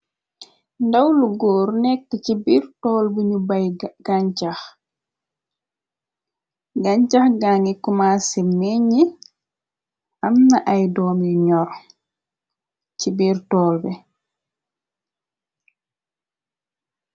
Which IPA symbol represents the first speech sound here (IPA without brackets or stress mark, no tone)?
n